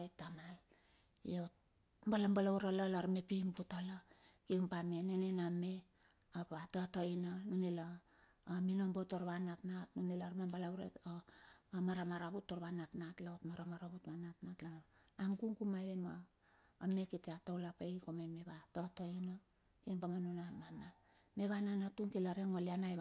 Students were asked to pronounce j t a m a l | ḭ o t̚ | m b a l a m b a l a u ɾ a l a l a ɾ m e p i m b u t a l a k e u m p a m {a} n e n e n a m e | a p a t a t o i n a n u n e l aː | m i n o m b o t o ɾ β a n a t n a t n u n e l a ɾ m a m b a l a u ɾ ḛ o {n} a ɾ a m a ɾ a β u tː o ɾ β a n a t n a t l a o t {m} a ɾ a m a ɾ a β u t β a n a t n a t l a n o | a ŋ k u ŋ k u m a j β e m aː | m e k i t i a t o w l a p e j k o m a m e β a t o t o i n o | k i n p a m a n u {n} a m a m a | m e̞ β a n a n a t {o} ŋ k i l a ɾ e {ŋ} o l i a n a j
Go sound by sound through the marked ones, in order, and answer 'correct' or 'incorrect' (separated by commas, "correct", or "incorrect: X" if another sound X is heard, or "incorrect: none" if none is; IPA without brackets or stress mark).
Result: incorrect: e, incorrect: m, correct, correct, incorrect: u, correct